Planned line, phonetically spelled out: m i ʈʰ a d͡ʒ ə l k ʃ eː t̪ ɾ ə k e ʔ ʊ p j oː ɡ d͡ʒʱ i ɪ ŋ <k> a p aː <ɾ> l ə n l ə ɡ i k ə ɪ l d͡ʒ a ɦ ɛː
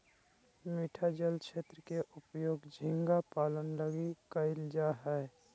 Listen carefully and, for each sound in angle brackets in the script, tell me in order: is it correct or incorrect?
incorrect: ɡ, incorrect: none

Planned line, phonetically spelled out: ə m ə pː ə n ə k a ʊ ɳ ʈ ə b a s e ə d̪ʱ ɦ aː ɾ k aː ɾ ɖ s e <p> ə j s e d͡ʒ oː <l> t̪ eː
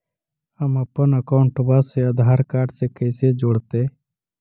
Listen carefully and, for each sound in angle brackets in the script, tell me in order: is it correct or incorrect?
incorrect: k, incorrect: ɽ

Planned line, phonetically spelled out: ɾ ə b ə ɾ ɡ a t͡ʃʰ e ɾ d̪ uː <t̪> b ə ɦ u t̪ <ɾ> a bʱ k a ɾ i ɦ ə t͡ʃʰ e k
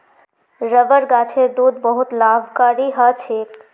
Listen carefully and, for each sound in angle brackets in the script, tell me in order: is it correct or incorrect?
incorrect: d̪, incorrect: l

